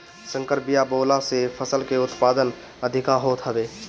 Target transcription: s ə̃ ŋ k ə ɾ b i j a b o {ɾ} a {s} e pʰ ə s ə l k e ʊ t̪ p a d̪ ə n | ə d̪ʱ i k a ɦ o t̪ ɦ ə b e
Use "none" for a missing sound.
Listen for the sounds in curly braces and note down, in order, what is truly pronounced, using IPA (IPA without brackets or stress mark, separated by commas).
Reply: l, s